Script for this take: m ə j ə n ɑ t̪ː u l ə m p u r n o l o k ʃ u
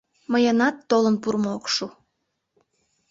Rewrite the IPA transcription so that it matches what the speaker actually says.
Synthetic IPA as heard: m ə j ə n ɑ t̪ː o l ə n p u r m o o k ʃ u